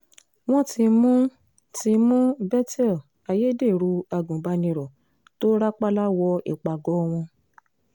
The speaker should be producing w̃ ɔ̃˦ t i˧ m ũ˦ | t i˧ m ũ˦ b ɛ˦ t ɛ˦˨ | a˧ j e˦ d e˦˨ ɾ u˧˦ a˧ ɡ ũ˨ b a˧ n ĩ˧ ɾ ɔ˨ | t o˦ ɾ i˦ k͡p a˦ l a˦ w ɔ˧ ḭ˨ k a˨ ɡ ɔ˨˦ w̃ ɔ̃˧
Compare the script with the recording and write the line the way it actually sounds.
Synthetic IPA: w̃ ɔ̃˦ t i˧ m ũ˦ | t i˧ m ũ˦ b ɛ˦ t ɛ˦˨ | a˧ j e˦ d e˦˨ ɾ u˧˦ a˧ ɡ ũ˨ b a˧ n ĩ˧ ɾ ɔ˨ | t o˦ ɾ a˦ k͡p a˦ l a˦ w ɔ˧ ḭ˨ k͡p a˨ ɡ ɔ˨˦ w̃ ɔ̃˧